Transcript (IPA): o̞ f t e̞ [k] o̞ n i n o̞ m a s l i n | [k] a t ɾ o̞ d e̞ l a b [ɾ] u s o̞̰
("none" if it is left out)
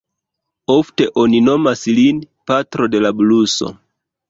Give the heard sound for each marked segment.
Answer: ʔ, p, l

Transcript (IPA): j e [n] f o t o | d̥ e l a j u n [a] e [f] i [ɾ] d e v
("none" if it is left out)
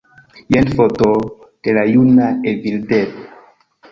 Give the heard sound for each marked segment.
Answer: n, a, v, l

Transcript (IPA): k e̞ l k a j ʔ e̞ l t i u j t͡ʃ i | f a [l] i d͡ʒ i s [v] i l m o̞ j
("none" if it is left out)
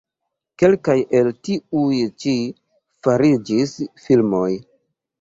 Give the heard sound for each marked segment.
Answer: ɾ, f

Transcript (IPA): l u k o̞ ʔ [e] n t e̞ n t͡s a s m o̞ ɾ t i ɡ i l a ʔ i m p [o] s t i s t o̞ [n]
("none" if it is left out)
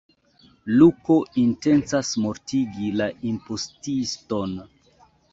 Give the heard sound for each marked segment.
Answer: i, o, n

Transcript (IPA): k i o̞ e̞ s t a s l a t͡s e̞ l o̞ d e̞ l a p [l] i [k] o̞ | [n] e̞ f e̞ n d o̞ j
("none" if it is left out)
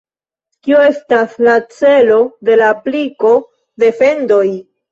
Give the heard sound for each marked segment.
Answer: l, k, d

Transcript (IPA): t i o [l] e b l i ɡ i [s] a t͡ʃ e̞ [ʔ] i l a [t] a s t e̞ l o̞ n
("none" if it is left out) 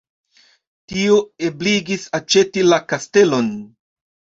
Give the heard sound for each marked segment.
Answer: none, s, t, k

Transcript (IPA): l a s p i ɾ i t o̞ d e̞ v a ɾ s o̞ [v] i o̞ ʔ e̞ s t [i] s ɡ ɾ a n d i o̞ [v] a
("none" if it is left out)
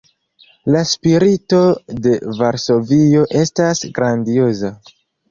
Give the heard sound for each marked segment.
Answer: v, a, z

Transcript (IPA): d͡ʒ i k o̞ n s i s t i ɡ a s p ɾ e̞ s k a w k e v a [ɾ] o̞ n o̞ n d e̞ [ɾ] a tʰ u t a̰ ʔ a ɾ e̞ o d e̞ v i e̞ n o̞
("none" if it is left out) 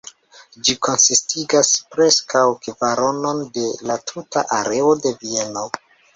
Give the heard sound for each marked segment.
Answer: ɾ, l

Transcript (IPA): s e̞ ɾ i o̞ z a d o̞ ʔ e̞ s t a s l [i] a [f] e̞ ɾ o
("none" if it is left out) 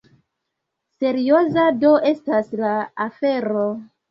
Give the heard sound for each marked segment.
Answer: a, f

